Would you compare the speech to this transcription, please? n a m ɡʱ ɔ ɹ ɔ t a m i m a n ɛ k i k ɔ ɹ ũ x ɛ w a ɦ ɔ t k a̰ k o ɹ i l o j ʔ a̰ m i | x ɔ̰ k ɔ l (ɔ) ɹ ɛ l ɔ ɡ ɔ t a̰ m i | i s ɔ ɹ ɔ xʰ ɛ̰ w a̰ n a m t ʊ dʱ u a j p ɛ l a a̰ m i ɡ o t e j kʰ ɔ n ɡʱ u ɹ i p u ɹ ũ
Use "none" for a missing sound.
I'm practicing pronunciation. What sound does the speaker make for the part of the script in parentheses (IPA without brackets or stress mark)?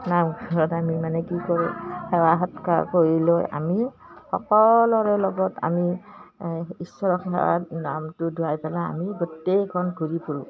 ɔ